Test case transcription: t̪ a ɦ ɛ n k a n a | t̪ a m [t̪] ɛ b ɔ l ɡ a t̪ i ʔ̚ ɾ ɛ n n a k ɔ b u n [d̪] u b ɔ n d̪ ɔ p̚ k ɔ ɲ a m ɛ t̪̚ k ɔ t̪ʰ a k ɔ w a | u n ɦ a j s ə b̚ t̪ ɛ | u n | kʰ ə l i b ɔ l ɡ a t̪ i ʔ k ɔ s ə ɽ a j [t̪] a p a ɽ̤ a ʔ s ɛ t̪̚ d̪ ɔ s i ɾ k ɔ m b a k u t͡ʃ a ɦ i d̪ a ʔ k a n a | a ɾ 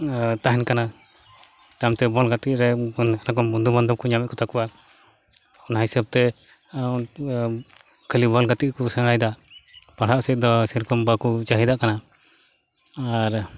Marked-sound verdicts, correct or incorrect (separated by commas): correct, correct, incorrect